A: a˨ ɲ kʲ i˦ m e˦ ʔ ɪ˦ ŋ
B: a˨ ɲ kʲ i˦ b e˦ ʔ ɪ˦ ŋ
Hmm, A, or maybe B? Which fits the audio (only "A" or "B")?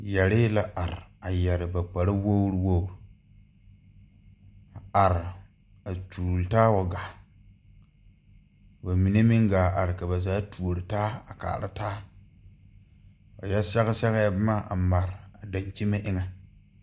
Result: A